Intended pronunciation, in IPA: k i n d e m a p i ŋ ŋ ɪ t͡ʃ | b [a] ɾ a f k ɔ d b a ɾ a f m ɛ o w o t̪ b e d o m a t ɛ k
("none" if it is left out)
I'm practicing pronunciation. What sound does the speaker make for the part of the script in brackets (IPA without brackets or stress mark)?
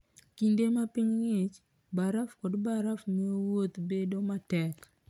a